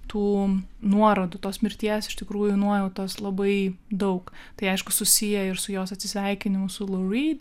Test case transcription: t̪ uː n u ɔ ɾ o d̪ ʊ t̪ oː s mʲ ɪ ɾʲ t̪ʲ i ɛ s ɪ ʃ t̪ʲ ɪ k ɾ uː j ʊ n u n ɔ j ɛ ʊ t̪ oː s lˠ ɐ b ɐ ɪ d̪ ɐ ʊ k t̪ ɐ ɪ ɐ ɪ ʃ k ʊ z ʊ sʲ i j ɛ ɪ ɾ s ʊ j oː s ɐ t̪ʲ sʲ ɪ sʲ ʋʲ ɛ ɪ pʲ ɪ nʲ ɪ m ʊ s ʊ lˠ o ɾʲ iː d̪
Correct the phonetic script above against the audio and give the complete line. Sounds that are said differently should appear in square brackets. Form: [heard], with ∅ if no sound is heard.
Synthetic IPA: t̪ uː n u ɔ ɾ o d̪ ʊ t̪ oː s mʲ ɪ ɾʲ t̪ʲ i ɛ s ɪ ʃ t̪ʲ ɪ k ɾ uː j ʊ n u [∅] ɔ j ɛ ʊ t̪ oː s lˠ ɐ b ɐ ɪ d̪ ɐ ʊ k t̪ ɐ ɪ ɐ ɪ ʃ k ʊ [s] ʊ sʲ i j ɛ ɪ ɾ s ʊ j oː s ɐ t̪ʲ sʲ ɪ sʲ ʋʲ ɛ ɪ [kʲ] ɪ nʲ ɪ m ʊ s ʊ lˠ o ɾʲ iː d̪